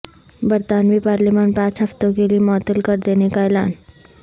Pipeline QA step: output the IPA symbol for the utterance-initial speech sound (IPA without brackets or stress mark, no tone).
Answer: b